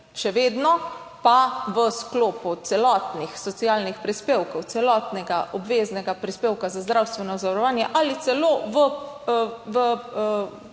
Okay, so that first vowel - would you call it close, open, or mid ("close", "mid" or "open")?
mid